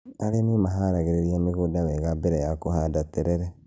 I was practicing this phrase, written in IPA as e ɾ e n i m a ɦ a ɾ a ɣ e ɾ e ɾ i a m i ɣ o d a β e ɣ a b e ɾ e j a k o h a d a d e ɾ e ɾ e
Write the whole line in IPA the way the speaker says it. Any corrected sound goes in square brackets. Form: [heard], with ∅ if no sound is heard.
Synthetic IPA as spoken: [a] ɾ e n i m a ɦ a ɾ a ɣ e ɾ e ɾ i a m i ɣ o d a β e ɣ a b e ɾ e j a k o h a d a [t] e ɾ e ɾ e